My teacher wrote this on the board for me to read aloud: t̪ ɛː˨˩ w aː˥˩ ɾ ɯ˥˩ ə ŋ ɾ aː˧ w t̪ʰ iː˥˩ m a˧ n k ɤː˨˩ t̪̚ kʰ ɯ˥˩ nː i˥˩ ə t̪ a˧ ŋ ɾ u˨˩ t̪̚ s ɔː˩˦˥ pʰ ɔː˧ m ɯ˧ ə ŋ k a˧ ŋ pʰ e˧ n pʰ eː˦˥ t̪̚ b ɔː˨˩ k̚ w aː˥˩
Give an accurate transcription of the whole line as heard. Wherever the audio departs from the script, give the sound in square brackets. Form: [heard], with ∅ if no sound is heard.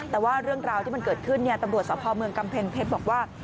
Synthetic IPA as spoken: t̪ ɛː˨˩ w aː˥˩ ɾ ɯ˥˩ ə ŋ ɾ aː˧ w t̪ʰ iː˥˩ m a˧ n k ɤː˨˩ t̪̚ kʰ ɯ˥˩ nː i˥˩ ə t̪ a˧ [m] ɾ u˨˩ t̪̚ s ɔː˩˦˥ pʰ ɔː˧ m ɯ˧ ə ŋ k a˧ [m] pʰ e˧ n pʰ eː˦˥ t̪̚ b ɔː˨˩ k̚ w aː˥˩